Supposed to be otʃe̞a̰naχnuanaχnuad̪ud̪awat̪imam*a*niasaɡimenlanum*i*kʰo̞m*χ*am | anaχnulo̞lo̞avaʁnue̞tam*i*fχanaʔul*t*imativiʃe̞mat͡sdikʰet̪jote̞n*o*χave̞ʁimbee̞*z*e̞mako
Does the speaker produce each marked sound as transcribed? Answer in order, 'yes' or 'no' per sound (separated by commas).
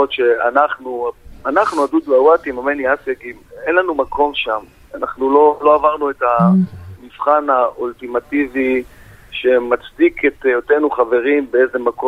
no, no, no, yes, yes, no, yes